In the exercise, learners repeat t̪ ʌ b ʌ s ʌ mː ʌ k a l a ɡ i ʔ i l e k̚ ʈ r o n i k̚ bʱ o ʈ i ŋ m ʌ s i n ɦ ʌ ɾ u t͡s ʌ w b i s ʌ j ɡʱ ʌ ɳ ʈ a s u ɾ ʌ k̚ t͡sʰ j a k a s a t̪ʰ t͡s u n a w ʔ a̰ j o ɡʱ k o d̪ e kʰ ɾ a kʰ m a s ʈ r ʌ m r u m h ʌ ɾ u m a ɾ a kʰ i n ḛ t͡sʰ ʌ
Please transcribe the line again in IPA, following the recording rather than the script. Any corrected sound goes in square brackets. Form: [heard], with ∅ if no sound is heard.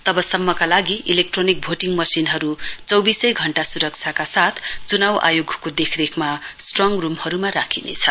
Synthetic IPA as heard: t̪ ʌ b ʌ s ʌ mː ʌ k a l a ɡ i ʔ i l e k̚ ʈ r o n i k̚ bʱ o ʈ i ŋ m ʌ s i n ɦ ʌ ɾ u t͡s ʌ w b i s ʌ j ɡʱ ʌ ɳ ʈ a s u ɾ ʌ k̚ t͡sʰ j a k a s a t̪ʰ t͡s u n a w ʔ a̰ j o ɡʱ k o d̪ e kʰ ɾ [e] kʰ m a s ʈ r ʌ [ŋ] r u m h ʌ ɾ u m a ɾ a kʰ i n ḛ t͡sʰ ʌ